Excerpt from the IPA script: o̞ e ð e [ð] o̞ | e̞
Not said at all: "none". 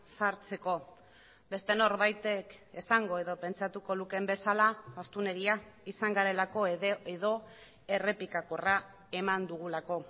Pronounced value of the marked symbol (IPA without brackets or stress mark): ð